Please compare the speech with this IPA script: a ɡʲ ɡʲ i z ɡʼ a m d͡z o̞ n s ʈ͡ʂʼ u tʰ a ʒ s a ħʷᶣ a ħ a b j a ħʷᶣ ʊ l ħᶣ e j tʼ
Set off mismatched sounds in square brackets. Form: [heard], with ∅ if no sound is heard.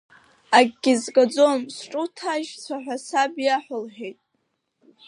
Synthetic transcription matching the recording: a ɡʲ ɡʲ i z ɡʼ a [∅] d͡z o̞ [m] s ʈ͡ʂʼ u tʰ a ʒ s a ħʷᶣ a [s] a b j a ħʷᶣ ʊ l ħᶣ e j tʼ